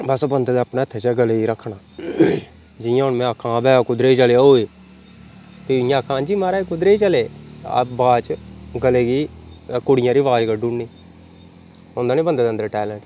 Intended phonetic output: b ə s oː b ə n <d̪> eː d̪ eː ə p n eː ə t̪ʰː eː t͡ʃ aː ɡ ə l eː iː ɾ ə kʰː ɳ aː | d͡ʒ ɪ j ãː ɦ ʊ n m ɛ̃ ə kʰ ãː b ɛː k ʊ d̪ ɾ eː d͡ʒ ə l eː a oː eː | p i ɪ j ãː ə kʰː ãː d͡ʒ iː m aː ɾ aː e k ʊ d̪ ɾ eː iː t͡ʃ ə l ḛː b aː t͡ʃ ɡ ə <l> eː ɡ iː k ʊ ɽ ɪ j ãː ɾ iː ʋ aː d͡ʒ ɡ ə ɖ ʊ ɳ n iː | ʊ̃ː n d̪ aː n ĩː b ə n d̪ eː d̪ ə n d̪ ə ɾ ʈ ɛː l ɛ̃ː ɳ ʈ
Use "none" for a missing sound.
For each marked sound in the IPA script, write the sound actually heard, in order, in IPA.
d̪, l

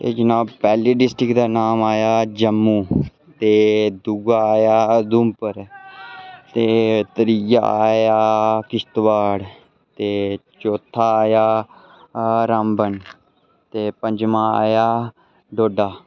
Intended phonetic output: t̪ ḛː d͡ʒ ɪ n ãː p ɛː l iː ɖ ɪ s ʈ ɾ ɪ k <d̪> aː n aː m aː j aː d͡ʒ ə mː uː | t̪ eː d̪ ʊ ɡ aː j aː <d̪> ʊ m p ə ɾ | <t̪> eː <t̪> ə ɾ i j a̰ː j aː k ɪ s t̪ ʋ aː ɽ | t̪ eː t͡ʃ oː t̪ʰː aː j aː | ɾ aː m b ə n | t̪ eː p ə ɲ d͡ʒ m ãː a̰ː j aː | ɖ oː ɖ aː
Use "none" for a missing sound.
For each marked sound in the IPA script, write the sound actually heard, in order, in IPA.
d̪, d̪, t̪, t̪

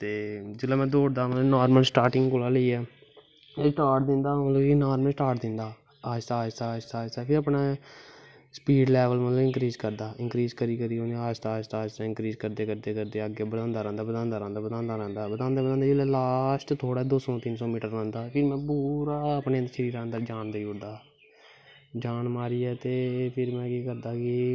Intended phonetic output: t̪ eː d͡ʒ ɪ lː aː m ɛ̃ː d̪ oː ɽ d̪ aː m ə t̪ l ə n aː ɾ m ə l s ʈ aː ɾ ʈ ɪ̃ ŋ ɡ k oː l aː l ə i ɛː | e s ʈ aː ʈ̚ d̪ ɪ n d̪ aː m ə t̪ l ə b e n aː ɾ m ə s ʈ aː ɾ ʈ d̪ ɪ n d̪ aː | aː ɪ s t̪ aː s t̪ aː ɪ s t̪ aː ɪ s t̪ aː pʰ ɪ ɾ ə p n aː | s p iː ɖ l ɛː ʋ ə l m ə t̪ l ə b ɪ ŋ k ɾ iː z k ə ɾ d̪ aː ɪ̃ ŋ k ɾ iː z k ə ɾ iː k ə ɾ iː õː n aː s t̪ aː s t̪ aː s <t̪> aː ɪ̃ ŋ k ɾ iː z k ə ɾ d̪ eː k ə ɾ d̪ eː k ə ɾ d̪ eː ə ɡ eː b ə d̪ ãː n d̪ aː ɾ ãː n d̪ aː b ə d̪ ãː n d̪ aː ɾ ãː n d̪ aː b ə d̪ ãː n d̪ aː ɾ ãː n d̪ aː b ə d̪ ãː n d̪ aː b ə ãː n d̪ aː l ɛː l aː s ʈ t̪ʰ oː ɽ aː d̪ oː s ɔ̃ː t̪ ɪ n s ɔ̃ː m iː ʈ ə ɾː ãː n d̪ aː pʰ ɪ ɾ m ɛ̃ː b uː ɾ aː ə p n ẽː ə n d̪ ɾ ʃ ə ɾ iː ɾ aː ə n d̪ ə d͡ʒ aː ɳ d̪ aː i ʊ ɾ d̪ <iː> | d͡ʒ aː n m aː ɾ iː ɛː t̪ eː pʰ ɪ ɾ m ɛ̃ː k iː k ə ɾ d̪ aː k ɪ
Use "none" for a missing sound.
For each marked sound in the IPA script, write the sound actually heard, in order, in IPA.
t̪, aː

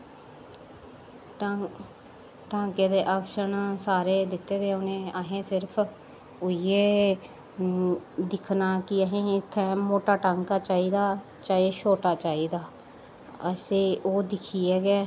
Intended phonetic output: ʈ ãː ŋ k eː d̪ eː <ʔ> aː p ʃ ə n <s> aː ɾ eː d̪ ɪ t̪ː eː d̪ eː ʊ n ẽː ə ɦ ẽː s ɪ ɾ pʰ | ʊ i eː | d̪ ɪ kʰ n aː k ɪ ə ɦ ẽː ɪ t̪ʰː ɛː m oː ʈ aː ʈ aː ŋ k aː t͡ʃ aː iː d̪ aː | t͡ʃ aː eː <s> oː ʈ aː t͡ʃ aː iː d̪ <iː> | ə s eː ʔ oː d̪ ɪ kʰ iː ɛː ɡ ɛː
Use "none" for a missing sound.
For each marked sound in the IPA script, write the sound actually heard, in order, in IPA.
ʔ, s, ʃ, aː

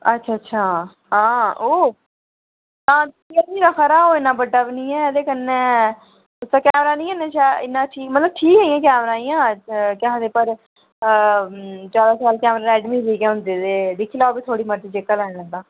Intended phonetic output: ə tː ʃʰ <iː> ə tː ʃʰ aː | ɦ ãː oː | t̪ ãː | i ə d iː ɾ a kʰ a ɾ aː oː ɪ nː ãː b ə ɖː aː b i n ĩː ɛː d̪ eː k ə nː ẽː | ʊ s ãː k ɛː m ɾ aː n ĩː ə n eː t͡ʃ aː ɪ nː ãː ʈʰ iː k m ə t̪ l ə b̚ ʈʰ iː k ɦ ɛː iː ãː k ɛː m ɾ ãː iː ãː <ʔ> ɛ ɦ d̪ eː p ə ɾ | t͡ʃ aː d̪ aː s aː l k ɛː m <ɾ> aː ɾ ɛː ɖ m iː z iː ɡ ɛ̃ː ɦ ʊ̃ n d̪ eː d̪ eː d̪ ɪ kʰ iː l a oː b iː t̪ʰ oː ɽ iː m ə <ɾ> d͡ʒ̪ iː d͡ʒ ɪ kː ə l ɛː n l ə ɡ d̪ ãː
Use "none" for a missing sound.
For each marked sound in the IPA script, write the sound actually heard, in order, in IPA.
aː, k, ɾ, ɾ

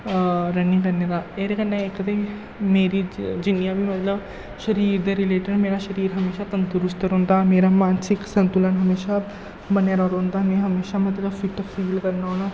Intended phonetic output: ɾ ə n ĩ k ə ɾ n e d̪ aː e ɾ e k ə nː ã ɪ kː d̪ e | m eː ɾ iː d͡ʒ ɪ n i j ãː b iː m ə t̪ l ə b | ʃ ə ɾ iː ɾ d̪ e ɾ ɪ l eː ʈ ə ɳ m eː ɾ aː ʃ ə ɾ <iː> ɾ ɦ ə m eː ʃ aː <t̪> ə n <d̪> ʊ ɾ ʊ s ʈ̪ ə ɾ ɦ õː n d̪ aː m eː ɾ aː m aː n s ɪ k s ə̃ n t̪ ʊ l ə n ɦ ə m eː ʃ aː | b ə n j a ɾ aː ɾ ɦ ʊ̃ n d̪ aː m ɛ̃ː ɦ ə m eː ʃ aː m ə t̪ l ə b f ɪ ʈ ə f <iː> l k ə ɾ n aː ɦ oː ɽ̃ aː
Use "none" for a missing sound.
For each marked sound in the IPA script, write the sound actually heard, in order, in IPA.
iː, t̪, t̪, iː

